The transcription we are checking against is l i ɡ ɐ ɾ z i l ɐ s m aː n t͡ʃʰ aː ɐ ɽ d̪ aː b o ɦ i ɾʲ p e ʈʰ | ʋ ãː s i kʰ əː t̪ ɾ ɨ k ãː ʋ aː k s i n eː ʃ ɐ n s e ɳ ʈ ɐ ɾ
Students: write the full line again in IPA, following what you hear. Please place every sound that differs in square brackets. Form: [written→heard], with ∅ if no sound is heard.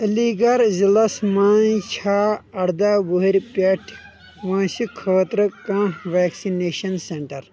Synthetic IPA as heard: l i ɡ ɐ ɾ z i l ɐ s m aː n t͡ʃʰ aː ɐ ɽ d̪ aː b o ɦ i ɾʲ p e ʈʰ | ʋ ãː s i kʰ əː t̪ ɾ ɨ k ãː ʋ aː k s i n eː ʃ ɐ n s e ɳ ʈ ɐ ɾ